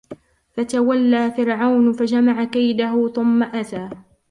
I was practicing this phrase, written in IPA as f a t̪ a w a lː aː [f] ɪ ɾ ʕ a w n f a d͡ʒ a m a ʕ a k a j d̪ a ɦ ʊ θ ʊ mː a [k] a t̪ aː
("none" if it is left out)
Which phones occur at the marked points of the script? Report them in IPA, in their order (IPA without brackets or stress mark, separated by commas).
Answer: f, ʔ